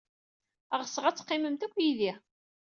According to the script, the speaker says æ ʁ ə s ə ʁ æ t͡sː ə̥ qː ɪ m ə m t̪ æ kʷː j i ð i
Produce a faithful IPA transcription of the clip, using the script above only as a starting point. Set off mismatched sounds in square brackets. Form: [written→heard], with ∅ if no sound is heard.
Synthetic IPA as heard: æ ʁ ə s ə ʁ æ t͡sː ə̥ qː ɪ m ə m t̪ æ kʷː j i ð i